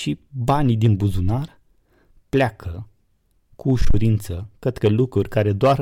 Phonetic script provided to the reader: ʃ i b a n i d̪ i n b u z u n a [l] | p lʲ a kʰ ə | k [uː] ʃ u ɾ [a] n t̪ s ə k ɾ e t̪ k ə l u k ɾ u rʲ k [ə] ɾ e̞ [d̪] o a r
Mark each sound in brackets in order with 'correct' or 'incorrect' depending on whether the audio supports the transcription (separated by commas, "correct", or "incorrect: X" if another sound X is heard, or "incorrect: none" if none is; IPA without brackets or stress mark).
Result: incorrect: r, correct, incorrect: i, incorrect: a, correct